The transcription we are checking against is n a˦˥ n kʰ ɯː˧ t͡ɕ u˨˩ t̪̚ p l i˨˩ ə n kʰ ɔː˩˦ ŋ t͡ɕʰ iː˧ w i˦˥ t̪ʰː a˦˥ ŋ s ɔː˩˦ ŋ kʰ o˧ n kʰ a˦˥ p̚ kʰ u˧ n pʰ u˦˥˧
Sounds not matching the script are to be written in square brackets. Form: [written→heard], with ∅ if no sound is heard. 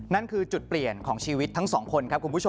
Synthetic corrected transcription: n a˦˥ n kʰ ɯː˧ t͡ɕ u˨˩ t̪̚ p l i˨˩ ə n kʰ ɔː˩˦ ŋ t͡ɕʰ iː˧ w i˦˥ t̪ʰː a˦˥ ŋ s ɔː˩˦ ŋ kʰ o˧ n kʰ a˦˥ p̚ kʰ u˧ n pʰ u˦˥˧